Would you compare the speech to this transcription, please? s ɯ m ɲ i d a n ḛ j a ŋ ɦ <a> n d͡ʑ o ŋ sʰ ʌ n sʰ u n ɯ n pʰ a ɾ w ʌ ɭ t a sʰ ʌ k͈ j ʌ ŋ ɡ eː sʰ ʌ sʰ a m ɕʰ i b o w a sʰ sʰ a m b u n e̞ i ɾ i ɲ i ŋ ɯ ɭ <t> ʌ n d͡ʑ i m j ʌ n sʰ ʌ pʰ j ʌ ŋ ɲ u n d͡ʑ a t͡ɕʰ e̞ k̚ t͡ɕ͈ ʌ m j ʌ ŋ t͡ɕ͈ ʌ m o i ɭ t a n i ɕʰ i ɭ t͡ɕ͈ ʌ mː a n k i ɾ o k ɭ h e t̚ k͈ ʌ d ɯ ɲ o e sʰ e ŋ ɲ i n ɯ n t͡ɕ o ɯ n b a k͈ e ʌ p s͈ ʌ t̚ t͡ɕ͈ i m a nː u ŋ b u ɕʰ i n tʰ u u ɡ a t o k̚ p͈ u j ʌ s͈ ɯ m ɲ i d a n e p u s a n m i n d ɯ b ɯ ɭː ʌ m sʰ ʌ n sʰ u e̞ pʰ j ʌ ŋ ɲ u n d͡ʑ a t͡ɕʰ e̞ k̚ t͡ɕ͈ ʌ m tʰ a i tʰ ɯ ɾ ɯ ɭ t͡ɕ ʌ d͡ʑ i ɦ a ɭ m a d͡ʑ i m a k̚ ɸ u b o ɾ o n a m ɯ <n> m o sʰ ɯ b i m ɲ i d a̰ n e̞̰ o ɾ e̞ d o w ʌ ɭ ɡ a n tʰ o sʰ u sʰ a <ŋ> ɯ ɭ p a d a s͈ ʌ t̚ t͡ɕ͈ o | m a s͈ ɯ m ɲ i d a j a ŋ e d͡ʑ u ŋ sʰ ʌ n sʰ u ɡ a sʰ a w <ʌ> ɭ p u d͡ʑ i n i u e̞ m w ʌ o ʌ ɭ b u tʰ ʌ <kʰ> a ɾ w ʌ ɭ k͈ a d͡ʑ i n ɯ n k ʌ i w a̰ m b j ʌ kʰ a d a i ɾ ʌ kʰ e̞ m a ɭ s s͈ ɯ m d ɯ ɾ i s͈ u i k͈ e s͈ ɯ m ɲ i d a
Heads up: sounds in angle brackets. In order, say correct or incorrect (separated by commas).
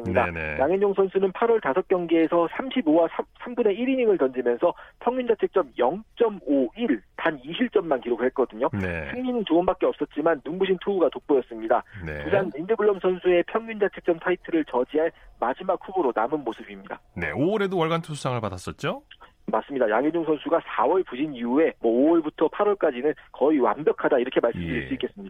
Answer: incorrect, correct, correct, correct, correct, incorrect